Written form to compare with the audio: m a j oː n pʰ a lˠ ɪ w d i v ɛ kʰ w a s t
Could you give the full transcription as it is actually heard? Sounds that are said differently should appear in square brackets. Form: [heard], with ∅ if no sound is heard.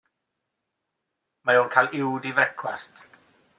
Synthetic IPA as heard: m a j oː n [kʰ] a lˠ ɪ w d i v ɛ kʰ w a s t